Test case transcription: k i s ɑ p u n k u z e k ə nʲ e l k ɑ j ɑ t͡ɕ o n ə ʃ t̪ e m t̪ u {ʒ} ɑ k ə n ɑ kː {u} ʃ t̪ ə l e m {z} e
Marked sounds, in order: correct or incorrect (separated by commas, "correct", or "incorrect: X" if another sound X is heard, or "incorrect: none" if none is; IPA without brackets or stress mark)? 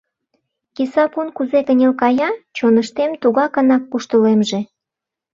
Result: incorrect: ɣ, correct, incorrect: ʒ